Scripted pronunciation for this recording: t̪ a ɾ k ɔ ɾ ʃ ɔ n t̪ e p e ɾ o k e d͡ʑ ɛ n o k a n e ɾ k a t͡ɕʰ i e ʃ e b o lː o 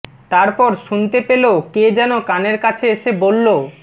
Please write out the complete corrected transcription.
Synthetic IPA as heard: t̪ a ɾ p ɔ ɾ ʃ u n t̪ e p e l o k e d͡ʑ ɛ n o k a n e ɾ k a t͡ɕʰ e e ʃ e b o lː o